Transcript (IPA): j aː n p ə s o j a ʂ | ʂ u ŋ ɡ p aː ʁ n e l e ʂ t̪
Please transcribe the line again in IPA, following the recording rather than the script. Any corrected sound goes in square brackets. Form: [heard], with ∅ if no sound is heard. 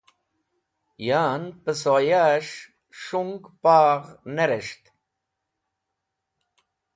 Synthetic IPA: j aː n p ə s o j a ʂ | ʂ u ŋ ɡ p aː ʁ n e [ɾ] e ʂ t̪